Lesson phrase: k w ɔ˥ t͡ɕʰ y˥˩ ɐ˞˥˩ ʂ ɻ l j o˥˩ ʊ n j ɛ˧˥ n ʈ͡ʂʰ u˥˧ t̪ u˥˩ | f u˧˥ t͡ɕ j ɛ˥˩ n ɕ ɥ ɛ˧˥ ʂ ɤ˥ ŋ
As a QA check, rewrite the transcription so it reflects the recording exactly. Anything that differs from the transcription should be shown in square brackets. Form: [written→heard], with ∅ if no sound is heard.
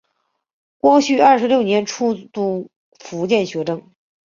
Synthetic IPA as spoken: k w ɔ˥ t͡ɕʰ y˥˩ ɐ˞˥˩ ʂ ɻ l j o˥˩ ʊ n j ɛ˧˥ n ʈ͡ʂʰ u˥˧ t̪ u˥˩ | f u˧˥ t͡ɕ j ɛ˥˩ n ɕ ɥ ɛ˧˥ [ʂ→ʈ͡ʂ] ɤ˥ ŋ